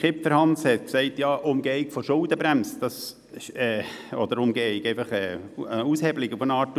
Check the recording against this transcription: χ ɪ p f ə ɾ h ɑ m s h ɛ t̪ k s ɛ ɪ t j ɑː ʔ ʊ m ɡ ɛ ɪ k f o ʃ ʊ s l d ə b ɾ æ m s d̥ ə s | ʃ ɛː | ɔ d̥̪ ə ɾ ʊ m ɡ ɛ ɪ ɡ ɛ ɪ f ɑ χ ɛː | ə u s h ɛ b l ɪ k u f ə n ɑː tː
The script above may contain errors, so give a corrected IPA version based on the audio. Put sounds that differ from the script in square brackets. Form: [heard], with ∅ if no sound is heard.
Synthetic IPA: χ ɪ p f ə ɾ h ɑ [n] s h ɛ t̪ k s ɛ ɪ t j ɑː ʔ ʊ m ɡ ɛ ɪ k f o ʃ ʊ [∅] l d ə b ɾ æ m s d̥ [ɑ] s | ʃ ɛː | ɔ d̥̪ ə ɾ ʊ m ɡ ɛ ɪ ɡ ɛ ɪ f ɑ χ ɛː | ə u s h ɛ b l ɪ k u f ə n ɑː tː